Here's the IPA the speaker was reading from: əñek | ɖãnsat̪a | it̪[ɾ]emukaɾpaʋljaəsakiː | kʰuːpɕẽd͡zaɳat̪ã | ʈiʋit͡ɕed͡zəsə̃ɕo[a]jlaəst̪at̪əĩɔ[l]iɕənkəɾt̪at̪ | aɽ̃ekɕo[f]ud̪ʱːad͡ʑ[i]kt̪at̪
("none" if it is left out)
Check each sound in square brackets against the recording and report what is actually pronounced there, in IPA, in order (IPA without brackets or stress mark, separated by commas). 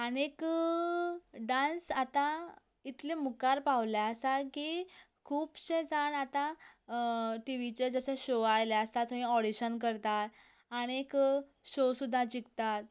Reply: l, a, ɽ, s, i